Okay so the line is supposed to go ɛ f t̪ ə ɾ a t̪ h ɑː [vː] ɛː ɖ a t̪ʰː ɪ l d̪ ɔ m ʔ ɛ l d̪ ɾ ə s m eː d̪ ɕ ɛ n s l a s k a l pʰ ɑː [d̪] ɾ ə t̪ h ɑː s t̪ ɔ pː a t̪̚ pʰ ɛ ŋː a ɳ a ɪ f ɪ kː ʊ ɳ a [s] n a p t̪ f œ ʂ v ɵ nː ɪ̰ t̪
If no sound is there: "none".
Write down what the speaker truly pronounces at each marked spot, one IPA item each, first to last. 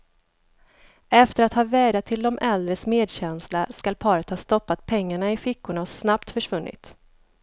v, none, s

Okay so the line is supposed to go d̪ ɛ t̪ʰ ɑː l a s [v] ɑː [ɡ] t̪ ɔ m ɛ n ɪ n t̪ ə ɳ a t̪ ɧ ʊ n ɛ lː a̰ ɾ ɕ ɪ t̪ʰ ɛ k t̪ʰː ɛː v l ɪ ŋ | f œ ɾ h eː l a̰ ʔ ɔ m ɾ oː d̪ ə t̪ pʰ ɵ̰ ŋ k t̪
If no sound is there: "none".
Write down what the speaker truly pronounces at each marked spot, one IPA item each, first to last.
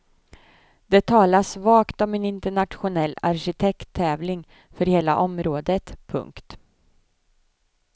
v, k

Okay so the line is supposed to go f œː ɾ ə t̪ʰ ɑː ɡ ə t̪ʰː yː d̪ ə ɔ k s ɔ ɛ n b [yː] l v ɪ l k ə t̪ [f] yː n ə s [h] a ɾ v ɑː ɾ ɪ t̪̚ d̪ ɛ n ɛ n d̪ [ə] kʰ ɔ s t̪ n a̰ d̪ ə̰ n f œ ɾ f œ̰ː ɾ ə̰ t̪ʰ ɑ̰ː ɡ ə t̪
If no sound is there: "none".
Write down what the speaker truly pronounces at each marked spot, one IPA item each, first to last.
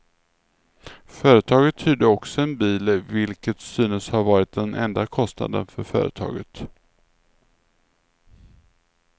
iː, s, h, a

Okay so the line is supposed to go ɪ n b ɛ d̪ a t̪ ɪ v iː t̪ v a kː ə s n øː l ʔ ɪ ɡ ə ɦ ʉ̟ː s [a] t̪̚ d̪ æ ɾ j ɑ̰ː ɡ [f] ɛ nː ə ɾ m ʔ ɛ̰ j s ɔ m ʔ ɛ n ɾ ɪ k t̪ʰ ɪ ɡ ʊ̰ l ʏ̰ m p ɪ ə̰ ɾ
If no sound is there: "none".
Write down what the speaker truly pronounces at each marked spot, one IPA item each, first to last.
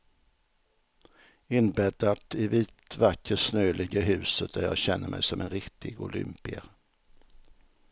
ə, ɕ

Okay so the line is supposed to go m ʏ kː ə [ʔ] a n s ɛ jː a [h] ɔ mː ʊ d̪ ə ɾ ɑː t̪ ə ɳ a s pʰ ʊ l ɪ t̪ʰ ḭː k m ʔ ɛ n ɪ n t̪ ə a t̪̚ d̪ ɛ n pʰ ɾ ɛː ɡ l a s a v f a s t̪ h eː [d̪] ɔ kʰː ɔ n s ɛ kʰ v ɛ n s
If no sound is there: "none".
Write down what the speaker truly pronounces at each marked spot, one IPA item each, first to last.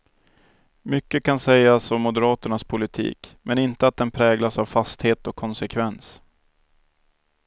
k, s, t̪

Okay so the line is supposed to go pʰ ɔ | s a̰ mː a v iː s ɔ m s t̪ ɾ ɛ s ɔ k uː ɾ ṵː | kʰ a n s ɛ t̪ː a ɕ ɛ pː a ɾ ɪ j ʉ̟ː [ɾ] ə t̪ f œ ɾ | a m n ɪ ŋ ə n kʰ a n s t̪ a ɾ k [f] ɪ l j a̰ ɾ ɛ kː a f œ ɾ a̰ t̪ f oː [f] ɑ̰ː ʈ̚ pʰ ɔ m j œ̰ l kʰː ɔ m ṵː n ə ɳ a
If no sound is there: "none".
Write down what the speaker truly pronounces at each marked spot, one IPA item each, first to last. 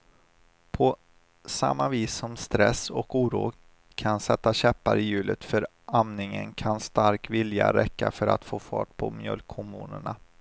l, v, f

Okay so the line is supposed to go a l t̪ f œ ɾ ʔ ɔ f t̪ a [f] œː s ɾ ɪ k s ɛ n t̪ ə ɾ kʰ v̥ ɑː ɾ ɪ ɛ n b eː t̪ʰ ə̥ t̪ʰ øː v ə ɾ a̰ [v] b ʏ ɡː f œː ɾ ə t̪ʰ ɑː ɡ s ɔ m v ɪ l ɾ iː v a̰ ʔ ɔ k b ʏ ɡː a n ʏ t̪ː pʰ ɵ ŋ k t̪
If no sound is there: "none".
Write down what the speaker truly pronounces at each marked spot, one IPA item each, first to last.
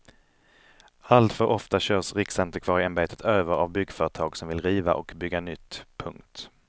ɕ, v

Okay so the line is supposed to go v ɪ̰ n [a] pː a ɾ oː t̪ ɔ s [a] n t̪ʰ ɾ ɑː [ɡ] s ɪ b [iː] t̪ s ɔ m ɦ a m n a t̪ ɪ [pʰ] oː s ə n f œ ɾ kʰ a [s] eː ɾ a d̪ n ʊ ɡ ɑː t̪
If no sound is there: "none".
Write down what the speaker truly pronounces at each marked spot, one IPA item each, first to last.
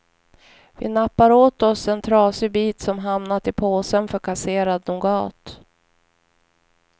a, ɛ, none, iː, pʰ, s

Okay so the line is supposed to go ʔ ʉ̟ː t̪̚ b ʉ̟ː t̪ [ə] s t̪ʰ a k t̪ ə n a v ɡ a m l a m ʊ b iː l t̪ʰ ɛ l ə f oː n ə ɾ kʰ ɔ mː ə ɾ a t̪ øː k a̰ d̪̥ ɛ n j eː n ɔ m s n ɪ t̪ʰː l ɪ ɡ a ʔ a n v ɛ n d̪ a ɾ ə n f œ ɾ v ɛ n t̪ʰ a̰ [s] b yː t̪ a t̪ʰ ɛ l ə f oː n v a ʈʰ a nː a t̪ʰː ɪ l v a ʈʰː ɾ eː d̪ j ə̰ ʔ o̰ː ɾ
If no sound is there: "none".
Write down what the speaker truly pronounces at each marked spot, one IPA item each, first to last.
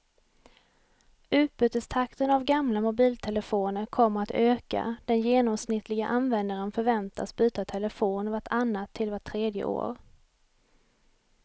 ə, s

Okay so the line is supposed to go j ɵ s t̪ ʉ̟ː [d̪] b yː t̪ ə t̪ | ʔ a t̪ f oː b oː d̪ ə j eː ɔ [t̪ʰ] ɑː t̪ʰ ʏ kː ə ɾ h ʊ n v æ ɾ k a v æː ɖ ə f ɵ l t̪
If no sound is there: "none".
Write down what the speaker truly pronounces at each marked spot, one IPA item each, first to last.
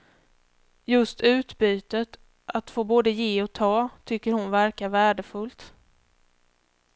t̪, t̪ʰ

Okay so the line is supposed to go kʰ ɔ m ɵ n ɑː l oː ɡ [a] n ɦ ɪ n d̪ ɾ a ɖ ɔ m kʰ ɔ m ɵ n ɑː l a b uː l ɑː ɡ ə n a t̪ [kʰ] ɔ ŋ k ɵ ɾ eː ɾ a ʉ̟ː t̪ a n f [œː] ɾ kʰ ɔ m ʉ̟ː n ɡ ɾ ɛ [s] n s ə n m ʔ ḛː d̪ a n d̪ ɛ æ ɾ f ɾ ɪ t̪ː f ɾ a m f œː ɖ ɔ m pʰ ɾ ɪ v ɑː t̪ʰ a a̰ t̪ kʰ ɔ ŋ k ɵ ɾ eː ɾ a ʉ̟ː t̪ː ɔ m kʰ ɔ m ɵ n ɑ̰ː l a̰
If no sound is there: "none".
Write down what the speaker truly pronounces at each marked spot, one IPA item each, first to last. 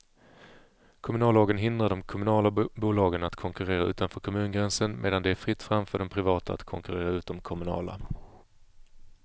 ə, kʰ, œː, none

